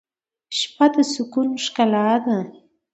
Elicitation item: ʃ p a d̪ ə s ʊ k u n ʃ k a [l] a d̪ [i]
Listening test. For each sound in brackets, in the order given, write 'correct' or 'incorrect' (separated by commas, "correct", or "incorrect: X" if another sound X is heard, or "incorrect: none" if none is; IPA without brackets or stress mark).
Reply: correct, incorrect: a